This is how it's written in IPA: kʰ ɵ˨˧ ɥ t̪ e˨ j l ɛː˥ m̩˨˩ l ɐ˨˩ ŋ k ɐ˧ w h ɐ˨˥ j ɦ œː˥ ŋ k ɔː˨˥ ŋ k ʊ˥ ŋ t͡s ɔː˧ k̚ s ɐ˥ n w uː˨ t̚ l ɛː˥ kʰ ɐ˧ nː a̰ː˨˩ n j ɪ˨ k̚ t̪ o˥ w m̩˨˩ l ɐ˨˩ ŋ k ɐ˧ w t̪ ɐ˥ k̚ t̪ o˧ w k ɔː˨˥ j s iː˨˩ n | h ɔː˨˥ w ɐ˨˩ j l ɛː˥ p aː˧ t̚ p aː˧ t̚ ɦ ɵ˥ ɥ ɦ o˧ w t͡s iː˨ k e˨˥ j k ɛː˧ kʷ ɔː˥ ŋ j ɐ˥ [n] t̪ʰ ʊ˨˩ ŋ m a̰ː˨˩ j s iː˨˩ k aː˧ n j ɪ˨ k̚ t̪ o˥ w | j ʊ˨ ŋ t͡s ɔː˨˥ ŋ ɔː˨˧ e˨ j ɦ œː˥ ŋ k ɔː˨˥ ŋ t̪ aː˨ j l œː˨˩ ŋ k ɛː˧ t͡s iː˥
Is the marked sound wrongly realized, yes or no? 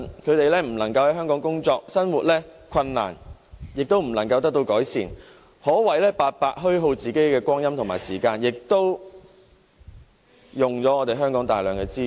yes